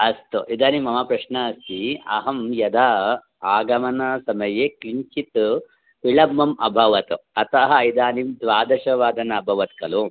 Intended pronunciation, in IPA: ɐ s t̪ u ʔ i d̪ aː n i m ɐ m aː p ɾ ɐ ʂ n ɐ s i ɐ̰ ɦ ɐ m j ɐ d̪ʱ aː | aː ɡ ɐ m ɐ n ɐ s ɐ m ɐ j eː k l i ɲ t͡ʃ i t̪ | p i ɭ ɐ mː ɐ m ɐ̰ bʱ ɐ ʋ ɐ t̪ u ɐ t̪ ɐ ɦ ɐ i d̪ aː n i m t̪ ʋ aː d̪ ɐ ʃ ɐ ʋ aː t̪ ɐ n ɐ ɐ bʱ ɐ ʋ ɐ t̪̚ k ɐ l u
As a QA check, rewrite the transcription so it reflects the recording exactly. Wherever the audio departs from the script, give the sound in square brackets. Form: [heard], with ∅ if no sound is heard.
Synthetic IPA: ɐ s t̪ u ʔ i d̪ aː n i m ɐ m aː p ɾ ɐ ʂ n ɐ s i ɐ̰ ɦ ɐ m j ɐ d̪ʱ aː | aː ɡ ɐ m ɐ n ɐ s ɐ m ɐ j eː k l i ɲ t͡ʃ i t̪ | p i ɭ ɐ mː ɐ m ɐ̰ bʱ ɐ ʋ ɐ t̪ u ɐ t̪ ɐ ɦ ɐ i d̪ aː n i m [d̪] ʋ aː d̪ ɐ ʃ ɐ ʋ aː [d̪] ɐ n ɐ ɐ bʱ ɐ ʋ ɐ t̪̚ k ɐ l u